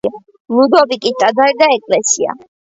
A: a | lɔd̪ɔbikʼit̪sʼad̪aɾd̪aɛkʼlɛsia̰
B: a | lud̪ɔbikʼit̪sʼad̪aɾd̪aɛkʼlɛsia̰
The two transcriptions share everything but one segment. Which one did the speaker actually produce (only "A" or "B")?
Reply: B